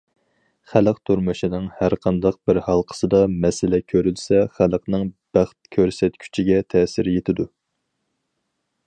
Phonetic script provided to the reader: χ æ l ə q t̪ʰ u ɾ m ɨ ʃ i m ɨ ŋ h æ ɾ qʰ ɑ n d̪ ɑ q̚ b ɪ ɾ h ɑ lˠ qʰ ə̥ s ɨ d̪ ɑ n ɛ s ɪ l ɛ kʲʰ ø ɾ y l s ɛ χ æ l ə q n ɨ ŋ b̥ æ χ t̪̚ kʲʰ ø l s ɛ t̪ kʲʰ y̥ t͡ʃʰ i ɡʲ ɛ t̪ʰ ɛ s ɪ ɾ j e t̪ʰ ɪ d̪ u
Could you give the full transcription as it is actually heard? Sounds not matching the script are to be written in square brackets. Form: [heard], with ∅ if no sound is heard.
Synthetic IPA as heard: χ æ l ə q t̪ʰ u ɾ m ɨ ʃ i [n] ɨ ŋ h æ ɾ qʰ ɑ n d̪ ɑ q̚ b ɪ ɾ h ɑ lˠ qʰ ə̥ s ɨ d̪ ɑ [m] ɛ s ɪ l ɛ kʲʰ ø ɾ y l s ɛ χ æ l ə q n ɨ ŋ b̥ æ χ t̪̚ kʲʰ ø [ɾ] s ɛ t̪ kʲʰ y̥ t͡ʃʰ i ɡʲ ɛ t̪ʰ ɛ s ɪ ɾ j e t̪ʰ ɪ d̪ u